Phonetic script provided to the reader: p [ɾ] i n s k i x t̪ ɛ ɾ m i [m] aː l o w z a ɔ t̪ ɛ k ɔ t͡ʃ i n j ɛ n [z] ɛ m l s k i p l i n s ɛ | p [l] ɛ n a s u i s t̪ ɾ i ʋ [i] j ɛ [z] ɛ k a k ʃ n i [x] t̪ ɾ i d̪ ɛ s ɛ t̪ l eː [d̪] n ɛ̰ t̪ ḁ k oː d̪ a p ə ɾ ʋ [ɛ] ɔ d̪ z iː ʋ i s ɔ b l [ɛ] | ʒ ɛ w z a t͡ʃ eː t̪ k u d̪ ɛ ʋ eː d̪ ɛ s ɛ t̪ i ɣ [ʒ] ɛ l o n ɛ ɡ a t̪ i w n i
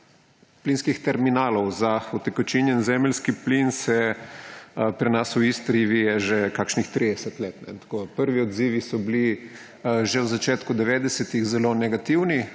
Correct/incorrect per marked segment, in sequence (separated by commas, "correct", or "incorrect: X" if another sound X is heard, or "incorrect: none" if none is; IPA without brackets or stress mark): incorrect: l, incorrect: n, correct, incorrect: ɾ, correct, incorrect: ʒ, correct, incorrect: t̪, incorrect: i, incorrect: i, incorrect: z